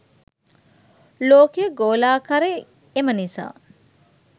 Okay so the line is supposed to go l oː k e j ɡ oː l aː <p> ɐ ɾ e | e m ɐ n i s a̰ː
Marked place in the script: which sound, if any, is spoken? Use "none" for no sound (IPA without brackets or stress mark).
k